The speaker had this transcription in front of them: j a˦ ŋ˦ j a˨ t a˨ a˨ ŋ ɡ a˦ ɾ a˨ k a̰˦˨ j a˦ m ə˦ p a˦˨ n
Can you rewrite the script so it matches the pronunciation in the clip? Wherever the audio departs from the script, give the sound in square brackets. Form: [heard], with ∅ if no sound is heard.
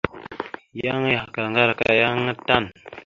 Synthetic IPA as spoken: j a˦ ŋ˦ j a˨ [k] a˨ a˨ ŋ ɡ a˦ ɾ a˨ k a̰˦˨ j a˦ [ŋ] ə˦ [t] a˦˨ n